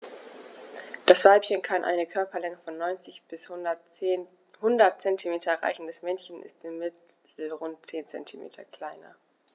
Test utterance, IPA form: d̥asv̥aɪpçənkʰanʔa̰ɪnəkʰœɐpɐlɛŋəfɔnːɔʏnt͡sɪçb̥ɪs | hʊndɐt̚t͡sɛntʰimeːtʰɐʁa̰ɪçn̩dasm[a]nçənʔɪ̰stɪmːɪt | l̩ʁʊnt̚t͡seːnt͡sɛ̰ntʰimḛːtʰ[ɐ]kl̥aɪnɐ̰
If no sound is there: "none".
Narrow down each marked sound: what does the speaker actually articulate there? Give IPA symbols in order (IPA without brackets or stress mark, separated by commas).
ɛ, ɐ